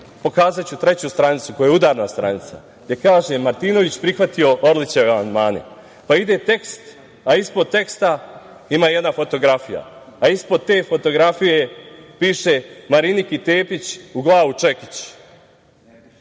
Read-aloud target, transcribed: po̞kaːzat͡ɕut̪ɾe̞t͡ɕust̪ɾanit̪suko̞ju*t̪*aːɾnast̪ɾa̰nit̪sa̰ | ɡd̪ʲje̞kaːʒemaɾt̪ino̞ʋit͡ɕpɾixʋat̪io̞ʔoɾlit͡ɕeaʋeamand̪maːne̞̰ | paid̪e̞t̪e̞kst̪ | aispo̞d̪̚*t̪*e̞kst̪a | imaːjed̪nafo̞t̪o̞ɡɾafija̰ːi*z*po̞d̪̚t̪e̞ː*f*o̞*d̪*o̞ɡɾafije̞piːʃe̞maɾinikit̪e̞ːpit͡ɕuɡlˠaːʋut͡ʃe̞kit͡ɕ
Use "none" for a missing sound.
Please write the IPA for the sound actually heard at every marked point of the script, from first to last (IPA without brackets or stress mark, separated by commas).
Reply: d̪, t̪, s, f, t̪